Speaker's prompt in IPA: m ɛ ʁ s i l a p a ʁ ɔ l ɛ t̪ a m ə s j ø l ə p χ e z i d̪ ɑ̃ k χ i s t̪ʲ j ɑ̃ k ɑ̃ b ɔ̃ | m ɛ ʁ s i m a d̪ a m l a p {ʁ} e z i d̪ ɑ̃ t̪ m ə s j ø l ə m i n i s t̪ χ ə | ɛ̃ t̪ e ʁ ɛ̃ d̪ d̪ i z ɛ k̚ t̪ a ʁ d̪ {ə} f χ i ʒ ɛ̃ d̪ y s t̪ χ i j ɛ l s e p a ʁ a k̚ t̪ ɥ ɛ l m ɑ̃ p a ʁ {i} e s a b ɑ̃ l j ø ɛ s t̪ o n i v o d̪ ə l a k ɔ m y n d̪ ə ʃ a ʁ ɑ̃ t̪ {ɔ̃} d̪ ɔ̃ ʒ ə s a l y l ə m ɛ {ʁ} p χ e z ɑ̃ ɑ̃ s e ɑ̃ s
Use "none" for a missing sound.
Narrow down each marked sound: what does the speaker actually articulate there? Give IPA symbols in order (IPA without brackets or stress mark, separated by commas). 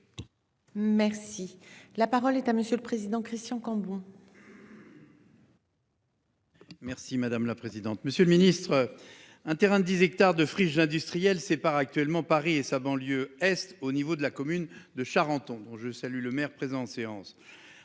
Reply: χ, ə, i, ɔ̃, ʁ